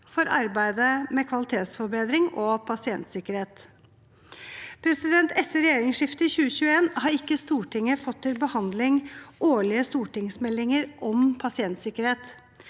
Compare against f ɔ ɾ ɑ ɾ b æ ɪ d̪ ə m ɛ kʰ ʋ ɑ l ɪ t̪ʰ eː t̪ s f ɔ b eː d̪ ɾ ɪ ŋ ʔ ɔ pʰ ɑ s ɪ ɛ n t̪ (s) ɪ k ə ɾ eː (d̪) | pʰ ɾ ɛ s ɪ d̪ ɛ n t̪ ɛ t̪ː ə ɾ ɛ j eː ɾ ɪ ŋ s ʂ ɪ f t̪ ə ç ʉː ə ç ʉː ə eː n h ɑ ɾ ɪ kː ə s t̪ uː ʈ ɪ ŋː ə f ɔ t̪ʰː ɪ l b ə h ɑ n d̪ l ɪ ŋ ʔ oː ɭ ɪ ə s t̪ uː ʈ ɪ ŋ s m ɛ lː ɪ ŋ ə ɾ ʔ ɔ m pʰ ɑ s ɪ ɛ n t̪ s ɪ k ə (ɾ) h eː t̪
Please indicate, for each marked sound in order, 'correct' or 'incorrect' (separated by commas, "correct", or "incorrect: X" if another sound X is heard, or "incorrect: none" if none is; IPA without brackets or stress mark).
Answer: correct, incorrect: t̪, correct